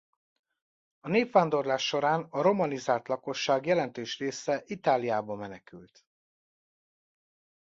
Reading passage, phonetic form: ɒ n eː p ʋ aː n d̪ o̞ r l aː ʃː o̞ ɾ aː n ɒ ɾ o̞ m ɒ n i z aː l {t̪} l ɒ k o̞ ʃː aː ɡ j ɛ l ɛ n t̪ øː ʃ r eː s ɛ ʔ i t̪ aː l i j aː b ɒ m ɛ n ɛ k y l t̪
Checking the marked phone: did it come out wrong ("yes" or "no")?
no